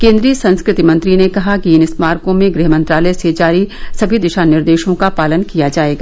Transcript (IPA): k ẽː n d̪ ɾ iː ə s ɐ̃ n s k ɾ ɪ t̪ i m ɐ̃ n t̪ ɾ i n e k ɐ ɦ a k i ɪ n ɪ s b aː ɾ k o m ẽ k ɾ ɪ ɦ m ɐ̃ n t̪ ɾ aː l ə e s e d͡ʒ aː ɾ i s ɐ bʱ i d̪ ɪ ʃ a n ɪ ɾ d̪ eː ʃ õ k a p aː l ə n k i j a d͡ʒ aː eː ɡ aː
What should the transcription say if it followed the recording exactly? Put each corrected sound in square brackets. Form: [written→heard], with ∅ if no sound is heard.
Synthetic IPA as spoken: k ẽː n d̪ ɾ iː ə s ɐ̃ n s k ɾ ɪ t̪ i m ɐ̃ n t̪ ɾ i n e k ɐ ɦ a k i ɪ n ɪ s [b→m] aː ɾ k [o→õ] m ẽ [k→ɡ] ɾ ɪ ɦ m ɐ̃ n t̪ ɾ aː l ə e s e d͡ʒ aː ɾ i s ɐ bʱ i d̪ ɪ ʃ a n ɪ ɾ d̪ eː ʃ õ k a p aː l ə n k i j a d͡ʒ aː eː ɡ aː